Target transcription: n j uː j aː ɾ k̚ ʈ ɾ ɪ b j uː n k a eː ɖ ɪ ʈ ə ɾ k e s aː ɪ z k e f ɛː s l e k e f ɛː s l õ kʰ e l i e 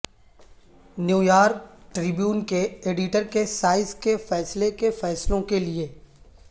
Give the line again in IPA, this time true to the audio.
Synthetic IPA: n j uː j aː ɾ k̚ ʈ ɾ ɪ b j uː n k e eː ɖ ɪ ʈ ə ɾ k e s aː ɪ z k e f ɛː s l e k e f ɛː s l õ k e l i e